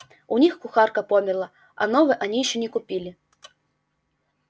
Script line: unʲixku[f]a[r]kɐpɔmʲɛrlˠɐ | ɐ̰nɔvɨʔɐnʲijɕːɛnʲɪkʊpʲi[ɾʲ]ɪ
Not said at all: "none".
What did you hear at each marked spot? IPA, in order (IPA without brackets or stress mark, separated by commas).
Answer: x, r, lʲ